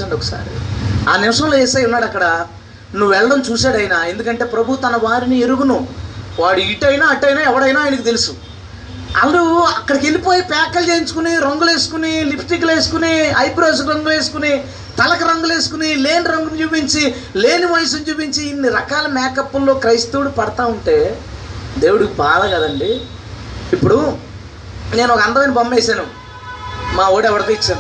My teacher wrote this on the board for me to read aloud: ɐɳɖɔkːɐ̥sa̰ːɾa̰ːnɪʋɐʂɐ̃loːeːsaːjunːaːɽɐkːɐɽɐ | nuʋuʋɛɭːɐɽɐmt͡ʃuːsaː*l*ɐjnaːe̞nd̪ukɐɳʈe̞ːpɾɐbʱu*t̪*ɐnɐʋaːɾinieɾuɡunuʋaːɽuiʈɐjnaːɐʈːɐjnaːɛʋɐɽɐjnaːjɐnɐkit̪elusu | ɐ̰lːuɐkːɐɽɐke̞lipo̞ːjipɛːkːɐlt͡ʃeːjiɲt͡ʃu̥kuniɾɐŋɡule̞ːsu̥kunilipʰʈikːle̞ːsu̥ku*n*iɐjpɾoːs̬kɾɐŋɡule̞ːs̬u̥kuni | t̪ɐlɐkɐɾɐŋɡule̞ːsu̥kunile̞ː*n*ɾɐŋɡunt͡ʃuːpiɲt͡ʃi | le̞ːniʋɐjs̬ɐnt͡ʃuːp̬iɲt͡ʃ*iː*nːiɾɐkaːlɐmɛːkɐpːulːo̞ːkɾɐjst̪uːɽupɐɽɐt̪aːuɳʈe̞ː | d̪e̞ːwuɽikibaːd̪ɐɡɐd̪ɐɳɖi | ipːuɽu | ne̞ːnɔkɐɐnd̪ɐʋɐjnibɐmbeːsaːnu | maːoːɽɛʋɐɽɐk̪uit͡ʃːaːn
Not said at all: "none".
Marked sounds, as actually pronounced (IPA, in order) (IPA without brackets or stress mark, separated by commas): ɽ, t̪, n, n, iː